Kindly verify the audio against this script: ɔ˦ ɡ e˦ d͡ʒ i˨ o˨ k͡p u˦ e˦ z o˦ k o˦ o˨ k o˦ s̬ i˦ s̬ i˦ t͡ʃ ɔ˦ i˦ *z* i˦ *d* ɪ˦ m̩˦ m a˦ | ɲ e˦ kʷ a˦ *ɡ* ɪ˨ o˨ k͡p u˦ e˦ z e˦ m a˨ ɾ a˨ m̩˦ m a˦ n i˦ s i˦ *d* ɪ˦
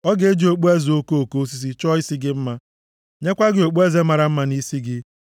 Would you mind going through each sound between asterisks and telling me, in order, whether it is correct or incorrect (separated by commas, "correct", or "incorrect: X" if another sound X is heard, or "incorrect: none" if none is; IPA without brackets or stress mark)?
incorrect: s, incorrect: ɡ, correct, incorrect: ɡ